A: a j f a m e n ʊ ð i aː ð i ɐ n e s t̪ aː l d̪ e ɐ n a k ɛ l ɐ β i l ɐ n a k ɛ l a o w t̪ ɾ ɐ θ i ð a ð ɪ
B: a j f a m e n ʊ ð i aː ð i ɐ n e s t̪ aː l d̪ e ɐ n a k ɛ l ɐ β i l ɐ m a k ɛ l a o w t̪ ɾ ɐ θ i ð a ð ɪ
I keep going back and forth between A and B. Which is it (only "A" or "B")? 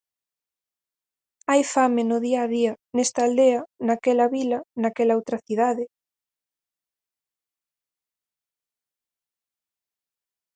A